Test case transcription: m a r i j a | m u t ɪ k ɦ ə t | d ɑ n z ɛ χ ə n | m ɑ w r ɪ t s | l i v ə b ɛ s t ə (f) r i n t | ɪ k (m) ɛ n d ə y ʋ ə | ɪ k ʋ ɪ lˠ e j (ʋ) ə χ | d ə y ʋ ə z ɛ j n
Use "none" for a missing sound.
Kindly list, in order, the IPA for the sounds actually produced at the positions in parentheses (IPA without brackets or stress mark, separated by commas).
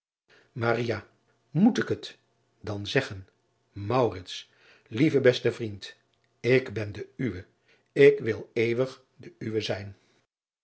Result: v, b, ʋ